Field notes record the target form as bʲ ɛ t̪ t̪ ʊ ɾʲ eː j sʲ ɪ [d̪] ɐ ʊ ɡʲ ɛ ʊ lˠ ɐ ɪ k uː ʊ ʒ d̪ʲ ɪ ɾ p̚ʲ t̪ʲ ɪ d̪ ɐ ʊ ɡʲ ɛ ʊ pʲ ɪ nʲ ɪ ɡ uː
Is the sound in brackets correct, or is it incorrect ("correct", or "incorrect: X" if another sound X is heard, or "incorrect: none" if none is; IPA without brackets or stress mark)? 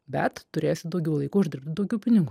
correct